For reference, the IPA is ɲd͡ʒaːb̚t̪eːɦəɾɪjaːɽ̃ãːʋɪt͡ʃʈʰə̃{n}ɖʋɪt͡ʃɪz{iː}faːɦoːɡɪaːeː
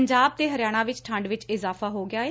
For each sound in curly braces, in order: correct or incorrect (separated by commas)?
incorrect, incorrect